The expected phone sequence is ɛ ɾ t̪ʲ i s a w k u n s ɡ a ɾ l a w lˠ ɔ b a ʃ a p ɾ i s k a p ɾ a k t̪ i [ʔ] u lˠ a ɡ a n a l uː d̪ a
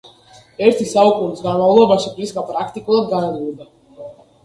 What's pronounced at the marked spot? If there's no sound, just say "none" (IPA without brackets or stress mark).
k